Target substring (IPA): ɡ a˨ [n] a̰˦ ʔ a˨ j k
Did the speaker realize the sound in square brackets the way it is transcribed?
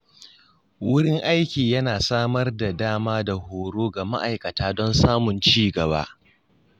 no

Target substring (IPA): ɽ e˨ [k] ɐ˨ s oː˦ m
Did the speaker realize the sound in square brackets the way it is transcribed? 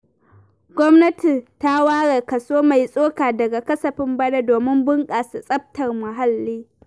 yes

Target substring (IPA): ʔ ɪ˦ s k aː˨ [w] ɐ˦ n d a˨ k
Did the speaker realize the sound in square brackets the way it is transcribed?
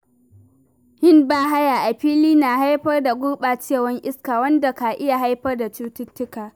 yes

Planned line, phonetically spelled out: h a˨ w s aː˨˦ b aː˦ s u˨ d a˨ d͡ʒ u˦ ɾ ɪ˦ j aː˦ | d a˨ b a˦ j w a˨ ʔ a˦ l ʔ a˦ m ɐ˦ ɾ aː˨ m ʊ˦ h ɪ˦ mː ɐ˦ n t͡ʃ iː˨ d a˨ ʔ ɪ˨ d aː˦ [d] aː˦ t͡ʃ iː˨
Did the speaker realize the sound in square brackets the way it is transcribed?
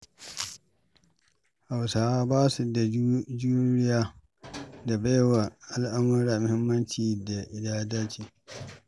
yes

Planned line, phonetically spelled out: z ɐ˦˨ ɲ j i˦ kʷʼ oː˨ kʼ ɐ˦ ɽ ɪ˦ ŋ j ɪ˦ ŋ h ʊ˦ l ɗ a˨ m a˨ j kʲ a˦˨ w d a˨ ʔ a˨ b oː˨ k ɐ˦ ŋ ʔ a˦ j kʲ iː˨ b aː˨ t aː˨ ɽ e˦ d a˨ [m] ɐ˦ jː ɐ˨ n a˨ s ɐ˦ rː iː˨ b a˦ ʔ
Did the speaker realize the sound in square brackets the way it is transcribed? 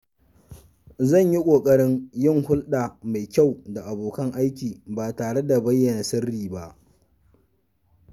no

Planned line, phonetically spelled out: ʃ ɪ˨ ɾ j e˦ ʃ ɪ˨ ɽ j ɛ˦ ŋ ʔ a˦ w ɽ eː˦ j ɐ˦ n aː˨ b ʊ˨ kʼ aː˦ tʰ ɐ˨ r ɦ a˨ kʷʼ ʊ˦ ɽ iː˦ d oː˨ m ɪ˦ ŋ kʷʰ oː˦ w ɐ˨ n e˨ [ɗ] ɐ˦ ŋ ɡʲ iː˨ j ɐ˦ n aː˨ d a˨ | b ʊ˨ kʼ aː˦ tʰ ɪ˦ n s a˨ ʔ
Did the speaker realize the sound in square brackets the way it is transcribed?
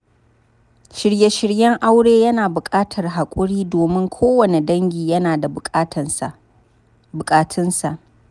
no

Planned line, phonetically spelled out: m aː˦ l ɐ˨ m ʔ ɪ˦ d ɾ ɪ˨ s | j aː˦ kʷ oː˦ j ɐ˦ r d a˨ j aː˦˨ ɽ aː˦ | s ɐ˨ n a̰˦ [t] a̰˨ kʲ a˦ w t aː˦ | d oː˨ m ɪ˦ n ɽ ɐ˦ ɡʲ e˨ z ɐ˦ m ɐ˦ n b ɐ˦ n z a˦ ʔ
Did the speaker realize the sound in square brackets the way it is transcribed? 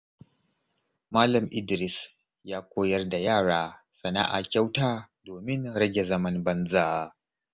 no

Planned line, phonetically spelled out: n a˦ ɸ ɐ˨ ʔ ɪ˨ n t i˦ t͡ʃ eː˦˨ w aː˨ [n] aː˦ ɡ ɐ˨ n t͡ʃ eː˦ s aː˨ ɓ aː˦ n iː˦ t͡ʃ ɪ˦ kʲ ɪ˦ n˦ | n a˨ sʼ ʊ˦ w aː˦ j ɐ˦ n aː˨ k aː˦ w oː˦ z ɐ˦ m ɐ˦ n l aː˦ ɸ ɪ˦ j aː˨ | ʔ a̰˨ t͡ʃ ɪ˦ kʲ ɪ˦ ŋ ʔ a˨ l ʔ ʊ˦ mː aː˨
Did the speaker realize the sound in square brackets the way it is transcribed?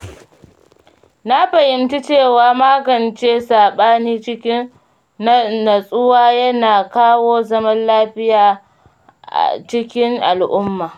no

